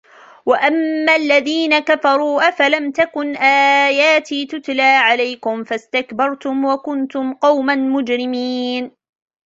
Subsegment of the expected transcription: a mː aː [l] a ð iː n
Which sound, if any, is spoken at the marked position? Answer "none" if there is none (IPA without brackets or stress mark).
lː